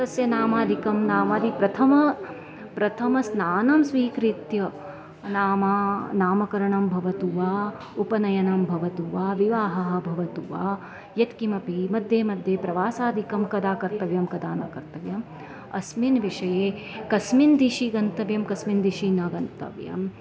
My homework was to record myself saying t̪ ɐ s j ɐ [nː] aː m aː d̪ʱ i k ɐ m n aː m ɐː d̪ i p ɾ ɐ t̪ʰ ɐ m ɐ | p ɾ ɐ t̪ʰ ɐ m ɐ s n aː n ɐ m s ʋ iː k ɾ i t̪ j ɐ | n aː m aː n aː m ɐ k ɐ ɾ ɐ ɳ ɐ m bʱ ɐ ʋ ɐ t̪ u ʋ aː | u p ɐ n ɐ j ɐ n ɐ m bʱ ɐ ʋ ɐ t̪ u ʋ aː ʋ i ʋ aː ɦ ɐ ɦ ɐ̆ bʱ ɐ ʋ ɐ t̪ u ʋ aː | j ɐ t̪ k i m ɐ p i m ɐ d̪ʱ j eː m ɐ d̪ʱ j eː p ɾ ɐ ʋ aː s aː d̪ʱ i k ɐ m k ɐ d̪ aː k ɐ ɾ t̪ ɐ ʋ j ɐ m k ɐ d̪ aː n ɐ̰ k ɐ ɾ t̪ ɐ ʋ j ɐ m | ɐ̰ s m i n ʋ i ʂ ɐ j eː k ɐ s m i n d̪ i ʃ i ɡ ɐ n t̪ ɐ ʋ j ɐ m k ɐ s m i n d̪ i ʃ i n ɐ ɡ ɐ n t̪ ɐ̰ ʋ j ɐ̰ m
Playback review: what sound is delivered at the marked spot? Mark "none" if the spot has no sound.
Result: n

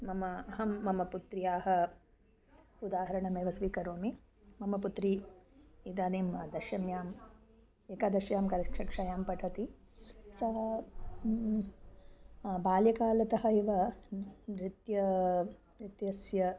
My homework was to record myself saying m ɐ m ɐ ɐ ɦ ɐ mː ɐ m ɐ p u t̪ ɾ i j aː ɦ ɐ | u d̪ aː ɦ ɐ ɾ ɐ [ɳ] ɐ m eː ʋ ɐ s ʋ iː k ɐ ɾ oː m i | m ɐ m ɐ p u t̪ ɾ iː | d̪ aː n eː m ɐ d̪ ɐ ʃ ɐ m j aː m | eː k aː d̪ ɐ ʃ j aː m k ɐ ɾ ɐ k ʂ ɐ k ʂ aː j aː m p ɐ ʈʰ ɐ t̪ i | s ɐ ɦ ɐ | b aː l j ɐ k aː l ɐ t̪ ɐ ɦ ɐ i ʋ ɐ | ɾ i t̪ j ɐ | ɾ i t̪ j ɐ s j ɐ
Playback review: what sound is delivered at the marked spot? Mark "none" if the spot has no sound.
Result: ɳ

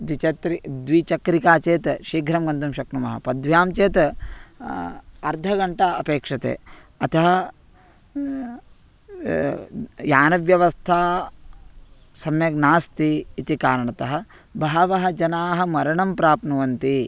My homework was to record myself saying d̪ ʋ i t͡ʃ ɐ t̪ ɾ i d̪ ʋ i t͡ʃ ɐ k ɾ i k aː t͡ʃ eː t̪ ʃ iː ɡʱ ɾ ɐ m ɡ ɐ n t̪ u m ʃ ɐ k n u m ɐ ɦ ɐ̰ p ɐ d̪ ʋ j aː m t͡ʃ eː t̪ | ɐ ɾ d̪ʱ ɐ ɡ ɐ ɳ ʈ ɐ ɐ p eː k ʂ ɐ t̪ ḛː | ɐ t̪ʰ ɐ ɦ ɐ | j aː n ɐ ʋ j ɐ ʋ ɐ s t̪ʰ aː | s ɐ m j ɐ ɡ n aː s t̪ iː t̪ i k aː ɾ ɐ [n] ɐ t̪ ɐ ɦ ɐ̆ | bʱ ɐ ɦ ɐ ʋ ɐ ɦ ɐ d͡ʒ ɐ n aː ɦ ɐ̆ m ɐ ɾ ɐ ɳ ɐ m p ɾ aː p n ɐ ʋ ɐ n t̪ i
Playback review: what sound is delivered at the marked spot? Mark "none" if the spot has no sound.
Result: ɳ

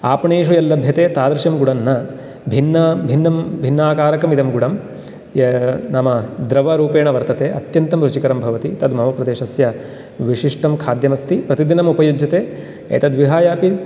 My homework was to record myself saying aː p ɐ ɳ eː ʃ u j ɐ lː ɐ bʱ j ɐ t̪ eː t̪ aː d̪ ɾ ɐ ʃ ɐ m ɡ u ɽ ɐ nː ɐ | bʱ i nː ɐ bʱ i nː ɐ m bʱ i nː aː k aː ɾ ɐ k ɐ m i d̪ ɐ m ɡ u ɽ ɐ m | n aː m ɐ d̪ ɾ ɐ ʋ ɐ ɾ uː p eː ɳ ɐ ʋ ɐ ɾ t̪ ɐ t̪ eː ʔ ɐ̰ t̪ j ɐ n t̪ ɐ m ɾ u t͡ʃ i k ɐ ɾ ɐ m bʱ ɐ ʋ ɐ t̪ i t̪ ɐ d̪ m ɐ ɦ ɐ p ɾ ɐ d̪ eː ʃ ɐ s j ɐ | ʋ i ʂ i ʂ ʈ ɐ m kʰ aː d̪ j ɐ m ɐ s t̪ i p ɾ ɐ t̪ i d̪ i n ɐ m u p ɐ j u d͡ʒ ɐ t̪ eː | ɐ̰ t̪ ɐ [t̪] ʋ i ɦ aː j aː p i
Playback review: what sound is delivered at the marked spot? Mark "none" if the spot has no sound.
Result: d̪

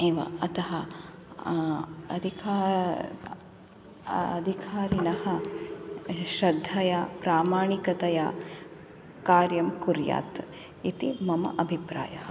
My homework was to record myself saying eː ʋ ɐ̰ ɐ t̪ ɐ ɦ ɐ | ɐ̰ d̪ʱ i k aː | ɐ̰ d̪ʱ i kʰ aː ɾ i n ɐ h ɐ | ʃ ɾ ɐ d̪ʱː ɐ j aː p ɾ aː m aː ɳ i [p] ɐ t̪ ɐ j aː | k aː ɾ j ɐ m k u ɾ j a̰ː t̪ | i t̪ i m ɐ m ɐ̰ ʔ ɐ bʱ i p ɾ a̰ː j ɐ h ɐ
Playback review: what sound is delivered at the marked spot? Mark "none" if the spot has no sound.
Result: k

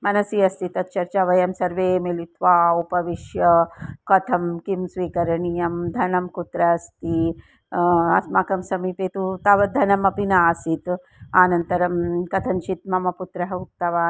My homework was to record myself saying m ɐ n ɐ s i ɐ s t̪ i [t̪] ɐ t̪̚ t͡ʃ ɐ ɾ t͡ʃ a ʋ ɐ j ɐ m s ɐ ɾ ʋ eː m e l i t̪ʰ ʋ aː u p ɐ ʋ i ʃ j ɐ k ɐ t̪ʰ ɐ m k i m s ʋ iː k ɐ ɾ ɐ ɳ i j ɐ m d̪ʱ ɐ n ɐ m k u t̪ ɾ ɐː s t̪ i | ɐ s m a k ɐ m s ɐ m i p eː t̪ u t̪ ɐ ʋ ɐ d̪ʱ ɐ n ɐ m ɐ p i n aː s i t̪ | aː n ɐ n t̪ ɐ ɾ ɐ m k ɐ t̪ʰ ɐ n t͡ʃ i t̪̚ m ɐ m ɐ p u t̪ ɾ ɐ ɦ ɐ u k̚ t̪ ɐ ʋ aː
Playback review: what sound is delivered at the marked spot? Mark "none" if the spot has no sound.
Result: t̪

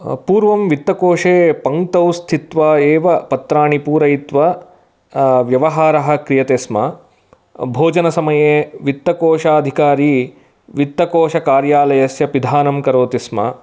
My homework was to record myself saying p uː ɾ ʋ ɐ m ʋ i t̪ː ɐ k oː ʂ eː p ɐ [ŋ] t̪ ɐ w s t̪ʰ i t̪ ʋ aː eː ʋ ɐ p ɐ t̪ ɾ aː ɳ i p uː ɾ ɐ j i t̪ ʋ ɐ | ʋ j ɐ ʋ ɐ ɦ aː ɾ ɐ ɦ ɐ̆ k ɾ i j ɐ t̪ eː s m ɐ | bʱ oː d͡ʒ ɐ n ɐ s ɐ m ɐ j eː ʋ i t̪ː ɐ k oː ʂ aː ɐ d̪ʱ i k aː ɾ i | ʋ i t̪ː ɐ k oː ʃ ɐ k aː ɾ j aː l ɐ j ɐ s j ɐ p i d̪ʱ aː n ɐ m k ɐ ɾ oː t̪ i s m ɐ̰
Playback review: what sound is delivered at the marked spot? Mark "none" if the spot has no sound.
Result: ŋ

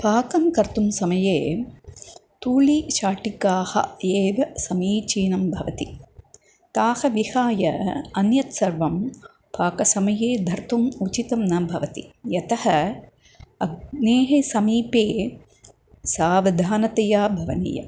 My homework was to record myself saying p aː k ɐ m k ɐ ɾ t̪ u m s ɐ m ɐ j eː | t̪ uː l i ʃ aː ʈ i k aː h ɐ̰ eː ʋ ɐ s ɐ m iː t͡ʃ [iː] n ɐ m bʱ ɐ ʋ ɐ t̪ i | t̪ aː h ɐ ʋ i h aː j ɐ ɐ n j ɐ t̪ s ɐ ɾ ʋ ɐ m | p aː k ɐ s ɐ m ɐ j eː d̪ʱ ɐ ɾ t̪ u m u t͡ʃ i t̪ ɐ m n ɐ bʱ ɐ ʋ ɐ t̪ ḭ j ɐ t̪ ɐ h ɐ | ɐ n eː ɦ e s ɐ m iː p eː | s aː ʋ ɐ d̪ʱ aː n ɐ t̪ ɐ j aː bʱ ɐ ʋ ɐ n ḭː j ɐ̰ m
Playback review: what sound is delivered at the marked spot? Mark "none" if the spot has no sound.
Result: iː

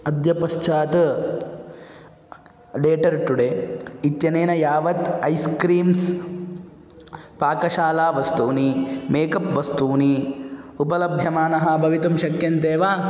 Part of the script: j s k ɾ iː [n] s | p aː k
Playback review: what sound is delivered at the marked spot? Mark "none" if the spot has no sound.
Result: m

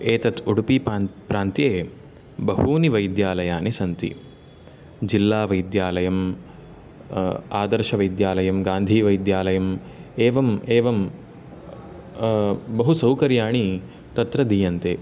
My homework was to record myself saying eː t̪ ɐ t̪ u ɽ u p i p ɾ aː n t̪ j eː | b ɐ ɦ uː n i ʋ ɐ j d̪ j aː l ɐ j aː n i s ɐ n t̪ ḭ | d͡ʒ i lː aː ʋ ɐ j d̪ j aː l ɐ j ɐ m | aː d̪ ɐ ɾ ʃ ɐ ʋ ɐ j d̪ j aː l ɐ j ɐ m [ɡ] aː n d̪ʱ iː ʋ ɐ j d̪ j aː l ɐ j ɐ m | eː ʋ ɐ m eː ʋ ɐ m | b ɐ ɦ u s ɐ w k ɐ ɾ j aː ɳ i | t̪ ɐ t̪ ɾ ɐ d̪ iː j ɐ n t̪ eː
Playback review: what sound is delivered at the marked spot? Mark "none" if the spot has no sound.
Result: ɡ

